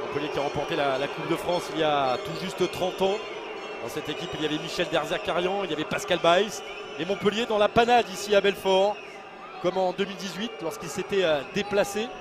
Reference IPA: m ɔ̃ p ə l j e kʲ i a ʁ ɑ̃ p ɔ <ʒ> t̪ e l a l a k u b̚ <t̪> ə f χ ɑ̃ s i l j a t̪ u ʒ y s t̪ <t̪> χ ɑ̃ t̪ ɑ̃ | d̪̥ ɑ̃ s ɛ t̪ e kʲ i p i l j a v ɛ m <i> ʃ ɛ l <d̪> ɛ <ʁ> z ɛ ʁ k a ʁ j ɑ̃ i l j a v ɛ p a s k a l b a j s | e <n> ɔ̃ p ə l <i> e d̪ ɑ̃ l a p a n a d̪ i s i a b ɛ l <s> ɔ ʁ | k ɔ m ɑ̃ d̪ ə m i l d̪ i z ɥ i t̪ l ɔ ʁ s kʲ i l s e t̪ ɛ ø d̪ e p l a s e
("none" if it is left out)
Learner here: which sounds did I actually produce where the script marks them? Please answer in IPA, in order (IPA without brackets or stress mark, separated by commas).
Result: ʁ, d̪, t̪, i, d̪, ʁ, m, j, f